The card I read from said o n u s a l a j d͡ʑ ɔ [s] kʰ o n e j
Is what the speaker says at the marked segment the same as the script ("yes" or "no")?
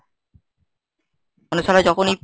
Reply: no